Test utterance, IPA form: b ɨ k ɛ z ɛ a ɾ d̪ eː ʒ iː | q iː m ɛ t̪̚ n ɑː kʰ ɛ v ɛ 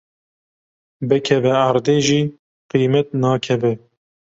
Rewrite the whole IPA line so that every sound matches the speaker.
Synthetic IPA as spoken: b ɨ kʰ ɛ v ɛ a ɾ d̪ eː ʒ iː | q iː m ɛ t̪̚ n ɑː kʰ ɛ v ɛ